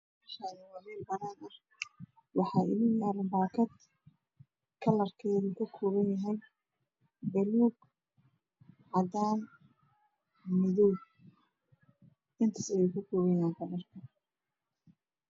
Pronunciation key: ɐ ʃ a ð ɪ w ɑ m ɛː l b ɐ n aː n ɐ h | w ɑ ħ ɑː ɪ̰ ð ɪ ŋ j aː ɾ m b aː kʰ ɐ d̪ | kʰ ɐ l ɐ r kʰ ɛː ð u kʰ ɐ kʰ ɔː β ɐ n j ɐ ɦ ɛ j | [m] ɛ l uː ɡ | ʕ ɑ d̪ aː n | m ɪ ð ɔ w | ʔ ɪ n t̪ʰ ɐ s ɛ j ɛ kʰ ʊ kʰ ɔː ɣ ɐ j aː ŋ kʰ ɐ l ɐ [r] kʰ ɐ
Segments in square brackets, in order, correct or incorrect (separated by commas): incorrect, correct